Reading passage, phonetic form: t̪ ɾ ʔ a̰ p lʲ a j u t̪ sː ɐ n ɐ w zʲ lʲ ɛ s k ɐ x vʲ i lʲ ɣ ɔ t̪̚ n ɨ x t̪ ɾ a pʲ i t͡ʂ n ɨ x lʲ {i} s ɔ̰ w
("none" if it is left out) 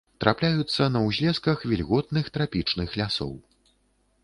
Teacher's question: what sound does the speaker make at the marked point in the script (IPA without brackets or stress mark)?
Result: a